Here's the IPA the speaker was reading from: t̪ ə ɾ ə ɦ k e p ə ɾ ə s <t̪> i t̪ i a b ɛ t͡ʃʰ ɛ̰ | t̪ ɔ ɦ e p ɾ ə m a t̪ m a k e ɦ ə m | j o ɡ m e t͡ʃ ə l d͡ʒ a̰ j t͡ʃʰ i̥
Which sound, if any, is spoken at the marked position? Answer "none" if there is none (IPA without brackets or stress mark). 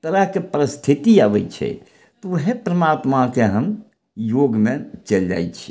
t̪ʰ